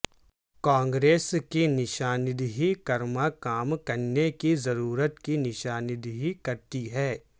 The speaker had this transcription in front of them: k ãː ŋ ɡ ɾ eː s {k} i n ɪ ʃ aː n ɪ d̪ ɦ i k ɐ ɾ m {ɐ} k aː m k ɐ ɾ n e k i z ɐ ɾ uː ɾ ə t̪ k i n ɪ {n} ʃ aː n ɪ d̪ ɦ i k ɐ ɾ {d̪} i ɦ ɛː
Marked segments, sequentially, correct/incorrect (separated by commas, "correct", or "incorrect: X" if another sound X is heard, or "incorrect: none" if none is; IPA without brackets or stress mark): correct, incorrect: a, incorrect: none, incorrect: t̪